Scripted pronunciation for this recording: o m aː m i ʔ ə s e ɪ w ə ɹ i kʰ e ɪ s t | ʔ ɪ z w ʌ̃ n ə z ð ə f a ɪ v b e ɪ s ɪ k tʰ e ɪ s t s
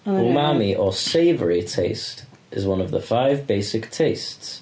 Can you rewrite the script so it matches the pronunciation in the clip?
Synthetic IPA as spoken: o m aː m i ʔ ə s e ɪ v ə ɹ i tʰ e ɪ s t | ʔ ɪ z w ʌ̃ n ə v ð ə f a ɪ v b e ɪ s ɪ k tʰ e ɪ s t s